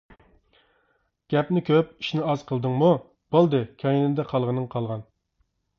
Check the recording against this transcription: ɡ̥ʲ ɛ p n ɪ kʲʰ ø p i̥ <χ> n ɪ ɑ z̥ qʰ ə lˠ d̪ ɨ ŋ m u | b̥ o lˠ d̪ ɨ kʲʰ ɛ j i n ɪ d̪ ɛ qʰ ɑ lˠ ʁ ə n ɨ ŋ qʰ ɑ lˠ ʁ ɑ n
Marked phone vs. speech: incorrect: ʃ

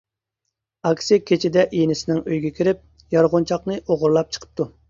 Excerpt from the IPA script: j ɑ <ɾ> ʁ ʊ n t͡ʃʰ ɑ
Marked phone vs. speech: correct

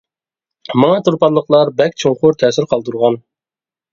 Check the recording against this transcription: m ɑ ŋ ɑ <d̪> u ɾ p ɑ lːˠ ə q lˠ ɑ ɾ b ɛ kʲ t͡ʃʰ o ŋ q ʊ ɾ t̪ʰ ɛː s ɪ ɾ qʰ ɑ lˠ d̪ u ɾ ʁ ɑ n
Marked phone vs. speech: incorrect: t̪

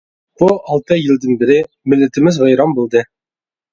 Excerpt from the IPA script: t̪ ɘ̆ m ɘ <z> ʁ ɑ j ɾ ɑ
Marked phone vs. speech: correct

